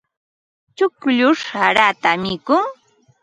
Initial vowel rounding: rounded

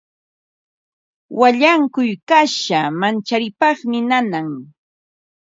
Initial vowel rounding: unrounded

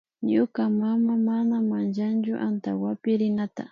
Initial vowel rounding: rounded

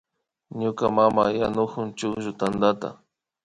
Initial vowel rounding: rounded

